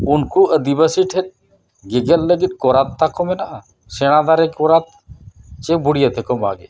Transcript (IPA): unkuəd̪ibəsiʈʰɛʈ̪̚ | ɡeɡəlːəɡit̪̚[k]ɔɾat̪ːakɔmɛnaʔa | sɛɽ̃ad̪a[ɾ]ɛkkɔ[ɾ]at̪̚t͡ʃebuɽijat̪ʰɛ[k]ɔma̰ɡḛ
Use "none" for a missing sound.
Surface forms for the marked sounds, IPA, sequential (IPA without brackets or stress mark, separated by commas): k, ɾ, ɾ, k